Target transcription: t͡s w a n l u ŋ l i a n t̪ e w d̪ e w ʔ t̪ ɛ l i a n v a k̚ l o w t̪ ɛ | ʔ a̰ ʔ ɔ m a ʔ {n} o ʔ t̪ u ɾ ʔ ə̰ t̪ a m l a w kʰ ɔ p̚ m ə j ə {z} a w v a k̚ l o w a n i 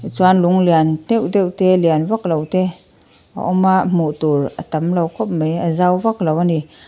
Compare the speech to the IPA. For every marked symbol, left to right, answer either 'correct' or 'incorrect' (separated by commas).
incorrect, correct